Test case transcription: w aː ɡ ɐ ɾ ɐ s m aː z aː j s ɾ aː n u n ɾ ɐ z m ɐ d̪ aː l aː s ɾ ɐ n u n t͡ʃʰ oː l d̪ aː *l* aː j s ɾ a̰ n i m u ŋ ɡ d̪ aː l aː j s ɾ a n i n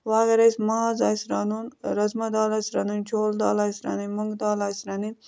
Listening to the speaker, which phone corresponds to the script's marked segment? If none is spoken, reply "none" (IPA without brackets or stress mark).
l